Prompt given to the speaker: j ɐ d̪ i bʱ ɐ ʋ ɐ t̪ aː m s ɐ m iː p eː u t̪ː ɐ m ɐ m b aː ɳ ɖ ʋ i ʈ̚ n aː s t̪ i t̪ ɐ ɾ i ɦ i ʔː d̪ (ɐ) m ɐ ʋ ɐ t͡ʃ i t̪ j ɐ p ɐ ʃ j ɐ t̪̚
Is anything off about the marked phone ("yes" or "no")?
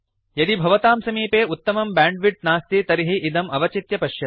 no